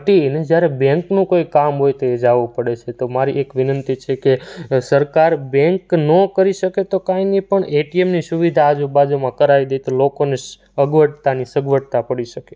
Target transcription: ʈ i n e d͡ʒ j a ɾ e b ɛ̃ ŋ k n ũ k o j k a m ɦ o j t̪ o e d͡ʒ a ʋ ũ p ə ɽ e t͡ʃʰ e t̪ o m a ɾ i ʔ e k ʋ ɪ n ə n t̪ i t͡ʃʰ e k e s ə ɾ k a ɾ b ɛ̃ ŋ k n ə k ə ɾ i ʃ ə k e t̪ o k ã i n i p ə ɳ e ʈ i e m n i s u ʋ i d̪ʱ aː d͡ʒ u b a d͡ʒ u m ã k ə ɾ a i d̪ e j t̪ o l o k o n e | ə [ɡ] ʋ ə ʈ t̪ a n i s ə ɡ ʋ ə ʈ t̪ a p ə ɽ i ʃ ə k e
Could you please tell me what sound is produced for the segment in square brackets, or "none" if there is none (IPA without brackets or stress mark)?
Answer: ɡ